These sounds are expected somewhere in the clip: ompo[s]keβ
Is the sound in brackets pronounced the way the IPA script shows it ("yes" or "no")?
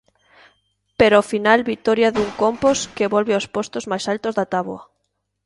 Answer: yes